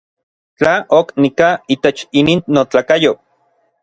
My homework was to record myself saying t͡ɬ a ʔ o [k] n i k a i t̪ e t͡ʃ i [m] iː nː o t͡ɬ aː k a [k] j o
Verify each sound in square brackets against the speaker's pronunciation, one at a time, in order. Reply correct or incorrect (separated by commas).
correct, incorrect, incorrect